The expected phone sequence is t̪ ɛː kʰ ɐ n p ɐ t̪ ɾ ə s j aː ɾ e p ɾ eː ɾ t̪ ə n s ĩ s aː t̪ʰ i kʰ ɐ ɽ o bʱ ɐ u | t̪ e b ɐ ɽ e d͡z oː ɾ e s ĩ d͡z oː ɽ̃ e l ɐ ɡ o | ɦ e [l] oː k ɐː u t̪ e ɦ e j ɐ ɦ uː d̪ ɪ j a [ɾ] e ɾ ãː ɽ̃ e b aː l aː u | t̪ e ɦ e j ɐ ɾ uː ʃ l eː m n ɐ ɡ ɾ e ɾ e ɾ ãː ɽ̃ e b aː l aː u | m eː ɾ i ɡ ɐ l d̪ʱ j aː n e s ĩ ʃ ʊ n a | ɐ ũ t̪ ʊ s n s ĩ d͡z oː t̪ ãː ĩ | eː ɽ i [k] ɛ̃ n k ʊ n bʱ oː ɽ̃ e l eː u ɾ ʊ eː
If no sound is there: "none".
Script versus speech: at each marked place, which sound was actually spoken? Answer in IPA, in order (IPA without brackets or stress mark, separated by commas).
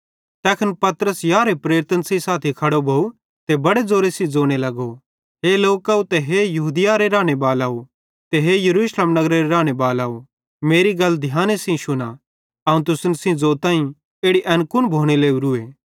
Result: l, ɾ, ʔ